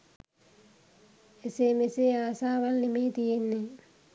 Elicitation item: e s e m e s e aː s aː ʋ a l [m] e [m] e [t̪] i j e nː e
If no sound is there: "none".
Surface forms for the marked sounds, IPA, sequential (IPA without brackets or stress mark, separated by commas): n, m, t̪